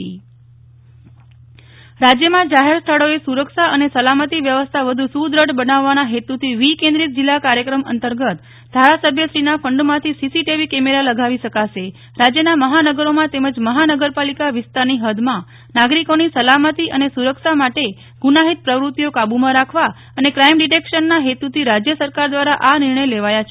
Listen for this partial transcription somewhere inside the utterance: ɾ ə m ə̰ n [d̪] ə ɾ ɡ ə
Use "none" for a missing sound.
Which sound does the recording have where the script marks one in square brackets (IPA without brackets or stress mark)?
t̪